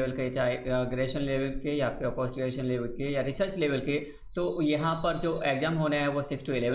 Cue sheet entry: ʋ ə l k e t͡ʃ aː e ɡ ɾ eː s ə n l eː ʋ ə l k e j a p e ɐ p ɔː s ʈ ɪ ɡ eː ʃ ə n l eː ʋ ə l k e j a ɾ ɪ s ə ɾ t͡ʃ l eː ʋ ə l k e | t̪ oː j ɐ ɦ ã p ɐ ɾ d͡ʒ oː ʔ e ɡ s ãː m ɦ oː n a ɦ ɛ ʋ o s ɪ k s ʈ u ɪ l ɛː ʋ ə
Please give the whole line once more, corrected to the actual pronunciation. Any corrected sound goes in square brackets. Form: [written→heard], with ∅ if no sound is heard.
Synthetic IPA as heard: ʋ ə l k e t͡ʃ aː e ɡ ɾ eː [s→ʃ] ə n l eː ʋ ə l k e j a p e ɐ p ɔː s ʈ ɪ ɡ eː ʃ ə n l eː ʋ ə l k e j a ɾ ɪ s ə ɾ t͡ʃ l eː ʋ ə l k e | t̪ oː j ɐ ɦ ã p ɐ ɾ d͡ʒ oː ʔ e ɡ [s→z] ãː m ɦ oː n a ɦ ɛ ʋ o s ɪ k s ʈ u ɪ l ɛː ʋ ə